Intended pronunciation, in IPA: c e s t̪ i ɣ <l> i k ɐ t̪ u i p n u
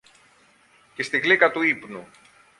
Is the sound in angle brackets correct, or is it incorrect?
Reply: correct